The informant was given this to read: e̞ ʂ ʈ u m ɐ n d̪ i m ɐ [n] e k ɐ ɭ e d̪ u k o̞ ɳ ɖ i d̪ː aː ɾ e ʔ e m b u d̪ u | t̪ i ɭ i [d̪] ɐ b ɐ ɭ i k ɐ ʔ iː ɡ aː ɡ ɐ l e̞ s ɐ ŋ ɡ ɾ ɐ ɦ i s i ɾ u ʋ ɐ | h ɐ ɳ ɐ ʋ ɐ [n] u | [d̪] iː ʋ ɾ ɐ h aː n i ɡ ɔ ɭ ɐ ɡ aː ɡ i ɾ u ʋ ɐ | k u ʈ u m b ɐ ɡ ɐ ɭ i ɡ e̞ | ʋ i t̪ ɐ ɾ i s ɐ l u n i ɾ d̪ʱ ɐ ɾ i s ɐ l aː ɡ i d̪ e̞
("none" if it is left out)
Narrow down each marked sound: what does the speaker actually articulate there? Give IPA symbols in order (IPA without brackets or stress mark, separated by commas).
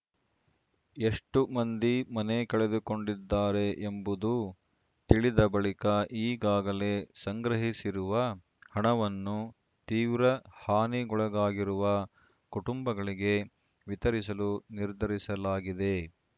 n, d̪, nː, t̪